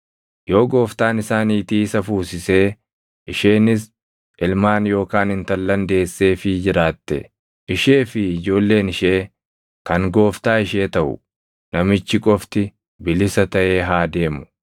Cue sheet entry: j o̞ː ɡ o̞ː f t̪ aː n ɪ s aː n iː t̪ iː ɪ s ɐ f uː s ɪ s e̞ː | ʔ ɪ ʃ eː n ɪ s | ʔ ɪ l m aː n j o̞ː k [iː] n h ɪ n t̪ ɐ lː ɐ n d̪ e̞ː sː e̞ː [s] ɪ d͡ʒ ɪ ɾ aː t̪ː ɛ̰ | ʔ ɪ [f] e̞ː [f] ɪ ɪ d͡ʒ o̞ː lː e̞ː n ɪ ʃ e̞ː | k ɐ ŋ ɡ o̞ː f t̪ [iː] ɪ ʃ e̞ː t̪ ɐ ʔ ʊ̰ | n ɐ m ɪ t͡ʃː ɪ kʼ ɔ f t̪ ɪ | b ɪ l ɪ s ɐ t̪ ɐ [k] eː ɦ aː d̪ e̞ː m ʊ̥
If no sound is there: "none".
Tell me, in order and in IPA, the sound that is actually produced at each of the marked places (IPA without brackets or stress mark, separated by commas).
aː, f, ʃ, f, aː, ʔ